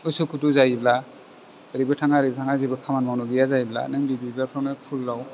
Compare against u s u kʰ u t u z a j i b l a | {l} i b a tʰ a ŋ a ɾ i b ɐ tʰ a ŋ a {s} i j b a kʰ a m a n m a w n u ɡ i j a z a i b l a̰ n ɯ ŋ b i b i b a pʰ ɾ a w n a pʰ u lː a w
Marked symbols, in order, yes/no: no, no

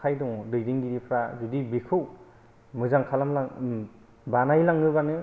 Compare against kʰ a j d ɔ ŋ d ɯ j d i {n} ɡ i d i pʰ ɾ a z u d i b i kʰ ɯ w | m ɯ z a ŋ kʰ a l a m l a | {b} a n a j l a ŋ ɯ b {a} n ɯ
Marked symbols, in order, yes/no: no, yes, yes

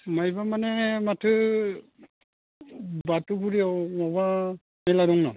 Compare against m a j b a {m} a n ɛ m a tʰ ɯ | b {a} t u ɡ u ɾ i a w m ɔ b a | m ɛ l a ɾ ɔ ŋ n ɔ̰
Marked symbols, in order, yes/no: yes, yes

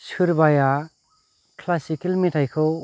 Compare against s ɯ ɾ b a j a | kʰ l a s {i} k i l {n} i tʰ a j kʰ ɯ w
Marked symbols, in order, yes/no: yes, no

